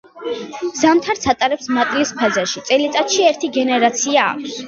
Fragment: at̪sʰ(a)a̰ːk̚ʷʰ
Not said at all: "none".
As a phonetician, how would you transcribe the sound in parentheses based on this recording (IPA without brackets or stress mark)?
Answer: i